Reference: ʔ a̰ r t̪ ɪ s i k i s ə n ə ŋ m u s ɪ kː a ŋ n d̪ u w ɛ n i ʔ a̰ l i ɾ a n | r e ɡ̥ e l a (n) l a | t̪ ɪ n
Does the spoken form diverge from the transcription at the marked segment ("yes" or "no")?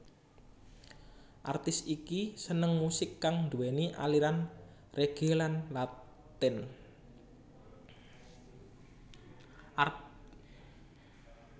no